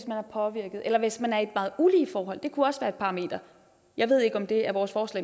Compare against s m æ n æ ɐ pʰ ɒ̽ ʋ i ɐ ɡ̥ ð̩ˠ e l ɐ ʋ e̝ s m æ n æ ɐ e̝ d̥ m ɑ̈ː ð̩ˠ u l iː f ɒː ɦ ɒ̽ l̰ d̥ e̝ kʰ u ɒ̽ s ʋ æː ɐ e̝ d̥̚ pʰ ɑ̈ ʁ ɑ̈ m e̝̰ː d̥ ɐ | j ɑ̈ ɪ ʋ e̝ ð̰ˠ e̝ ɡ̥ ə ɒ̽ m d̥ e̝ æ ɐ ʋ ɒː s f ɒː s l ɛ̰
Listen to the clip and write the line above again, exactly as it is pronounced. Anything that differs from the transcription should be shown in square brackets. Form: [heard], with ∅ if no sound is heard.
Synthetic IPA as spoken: s m æ n æ ɐ pʰ ɒ̽ ʋ i ɐ ɡ̥ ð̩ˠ e l ɐ ʋ e̝ s m æ n æ ɐ e̝ d̥ m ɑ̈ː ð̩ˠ u l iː f ɒː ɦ ɒ̽ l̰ d̥ e̝ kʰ u ɒ̽ s ʋ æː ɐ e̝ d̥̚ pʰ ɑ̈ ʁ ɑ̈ m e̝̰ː d̥ ɐ | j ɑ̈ ɪ ʋ e̝ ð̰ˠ e̝ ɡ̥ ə ɒ̽ m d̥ e̝ æ ɐ ʋ ɒː s f ɒː s l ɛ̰